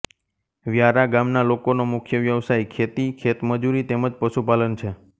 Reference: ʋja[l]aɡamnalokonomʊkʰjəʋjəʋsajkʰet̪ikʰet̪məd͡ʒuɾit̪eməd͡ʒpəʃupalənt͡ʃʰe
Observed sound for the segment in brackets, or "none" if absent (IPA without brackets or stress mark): ɾ